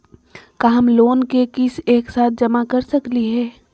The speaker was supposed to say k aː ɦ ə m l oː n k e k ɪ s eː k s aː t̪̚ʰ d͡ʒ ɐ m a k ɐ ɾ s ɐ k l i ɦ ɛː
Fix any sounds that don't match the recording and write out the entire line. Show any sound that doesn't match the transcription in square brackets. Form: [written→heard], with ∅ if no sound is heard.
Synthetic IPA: k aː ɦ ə m l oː n k e k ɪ s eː k s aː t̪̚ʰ d͡ʒ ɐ m a k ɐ ɾ s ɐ k l i ɦ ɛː